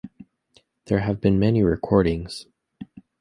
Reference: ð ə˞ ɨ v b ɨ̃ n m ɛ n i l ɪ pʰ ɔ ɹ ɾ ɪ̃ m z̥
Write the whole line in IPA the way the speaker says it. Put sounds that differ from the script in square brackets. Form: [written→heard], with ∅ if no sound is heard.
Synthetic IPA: ð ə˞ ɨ v b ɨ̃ n m ɛ n i [l→ɹ] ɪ [pʰ→kʰ] ɔ ɹ ɾ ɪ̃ [m→ŋ] z̥

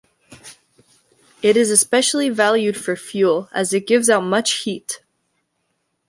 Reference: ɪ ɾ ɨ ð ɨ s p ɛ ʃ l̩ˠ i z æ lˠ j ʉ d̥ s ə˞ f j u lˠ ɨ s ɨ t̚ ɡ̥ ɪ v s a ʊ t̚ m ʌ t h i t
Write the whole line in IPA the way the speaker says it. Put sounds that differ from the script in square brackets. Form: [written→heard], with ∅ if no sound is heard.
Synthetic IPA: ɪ ɾ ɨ [ð→z] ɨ s p ɛ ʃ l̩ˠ i [z→v] æ lˠ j ʉ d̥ [s→f] ə˞ f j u lˠ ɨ [s→z] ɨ t̚ ɡ̥ ɪ v [s→z] a ʊ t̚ m ʌ [t→t͡ʃ] h i t

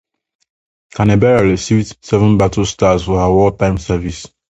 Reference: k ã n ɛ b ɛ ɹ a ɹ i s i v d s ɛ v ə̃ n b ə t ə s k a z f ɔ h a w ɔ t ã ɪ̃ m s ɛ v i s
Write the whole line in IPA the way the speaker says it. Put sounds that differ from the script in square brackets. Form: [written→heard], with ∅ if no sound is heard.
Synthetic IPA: k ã n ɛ b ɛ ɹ a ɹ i s i v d s ɛ v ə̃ n b [ə→a] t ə s [k→t] a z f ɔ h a w ɔ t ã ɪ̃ m s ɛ v i s

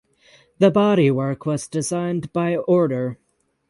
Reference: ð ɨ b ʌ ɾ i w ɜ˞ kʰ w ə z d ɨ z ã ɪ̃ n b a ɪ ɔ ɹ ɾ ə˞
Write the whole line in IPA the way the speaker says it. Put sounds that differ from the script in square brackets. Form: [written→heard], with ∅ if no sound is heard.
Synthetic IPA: ð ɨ b [ʌ→ɑ] ɾ i w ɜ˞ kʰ w [ə→ʌ] z d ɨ z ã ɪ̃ n b a ɪ ɔ ɹ ɾ ə˞

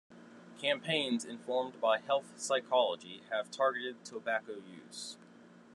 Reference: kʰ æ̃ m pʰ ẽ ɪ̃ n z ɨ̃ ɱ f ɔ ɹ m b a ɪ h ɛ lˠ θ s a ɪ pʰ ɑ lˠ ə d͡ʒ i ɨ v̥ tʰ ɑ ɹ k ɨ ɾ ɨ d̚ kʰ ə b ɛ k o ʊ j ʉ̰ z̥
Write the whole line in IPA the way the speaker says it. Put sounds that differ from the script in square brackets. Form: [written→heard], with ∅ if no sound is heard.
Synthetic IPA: kʰ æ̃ m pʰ ẽ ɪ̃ n z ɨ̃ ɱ f ɔ ɹ m b a ɪ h ɛ lˠ θ s a ɪ [pʰ→kʰ] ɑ lˠ ə d͡ʒ i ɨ v̥ tʰ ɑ ɹ [k→ɡ] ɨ ɾ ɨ d̚ [kʰ→tʰ] ə b [ɛ→æ] k o ʊ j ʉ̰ z̥

